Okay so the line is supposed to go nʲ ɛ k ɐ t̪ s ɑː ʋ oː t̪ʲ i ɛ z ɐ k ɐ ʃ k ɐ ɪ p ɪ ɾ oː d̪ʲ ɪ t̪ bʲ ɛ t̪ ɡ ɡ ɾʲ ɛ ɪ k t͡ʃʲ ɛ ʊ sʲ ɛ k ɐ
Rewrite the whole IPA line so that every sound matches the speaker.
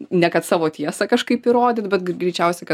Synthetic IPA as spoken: nʲ ɛ k ɐ t̪ s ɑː ʋ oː t̪ʲ i ɛ s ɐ k ɐ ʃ k ɐ ɪ p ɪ ɾ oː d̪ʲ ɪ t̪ bʲ ɛ t̪ ɡ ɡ ɾʲ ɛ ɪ t͡ʃʲ ɛ ʊ sʲ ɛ k ɐ

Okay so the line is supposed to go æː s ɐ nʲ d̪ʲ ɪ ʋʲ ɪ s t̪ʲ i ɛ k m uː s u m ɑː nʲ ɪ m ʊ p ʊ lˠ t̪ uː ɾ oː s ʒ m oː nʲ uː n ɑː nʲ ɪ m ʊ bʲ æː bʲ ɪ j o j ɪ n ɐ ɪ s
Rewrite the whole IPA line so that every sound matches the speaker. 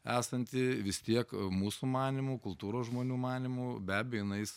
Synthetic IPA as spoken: æː s ɐ nʲ t̪ʲ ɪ ʋʲ ɪ s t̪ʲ i ɛ k m uː s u m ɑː nʲ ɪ m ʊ k ʊ lˠ t̪ uː ɾ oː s ʒ m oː nʲ uː m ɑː nʲ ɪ m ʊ bʲ æː bʲ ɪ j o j ɪ n ɐ ɪ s

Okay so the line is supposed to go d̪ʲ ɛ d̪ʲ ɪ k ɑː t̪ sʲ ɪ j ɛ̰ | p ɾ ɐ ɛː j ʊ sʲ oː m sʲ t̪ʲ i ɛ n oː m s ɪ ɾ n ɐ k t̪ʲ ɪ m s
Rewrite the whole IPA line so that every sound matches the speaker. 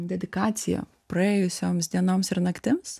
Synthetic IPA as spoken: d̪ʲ ɛ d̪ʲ ɪ k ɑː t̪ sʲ ɪ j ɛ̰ | p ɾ ɐ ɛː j ʊ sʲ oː m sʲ d̪ʲ i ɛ n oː m s ɪ ɾ n ɐ k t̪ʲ ɪ m s

